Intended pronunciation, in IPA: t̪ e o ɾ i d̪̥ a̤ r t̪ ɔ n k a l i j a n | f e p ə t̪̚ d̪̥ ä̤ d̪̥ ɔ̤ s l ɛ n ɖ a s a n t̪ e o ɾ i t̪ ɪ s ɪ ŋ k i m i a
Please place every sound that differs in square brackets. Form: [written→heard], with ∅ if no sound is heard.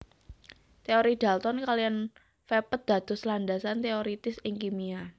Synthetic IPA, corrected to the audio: t̪ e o ɾ i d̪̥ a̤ [r→l] t̪ ɔ n k a l i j a n | f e p ə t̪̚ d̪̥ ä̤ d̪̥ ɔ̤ s l [ɛ→a] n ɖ a s a n t̪ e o ɾ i t̪ ɪ s ɪ ŋ k i m i a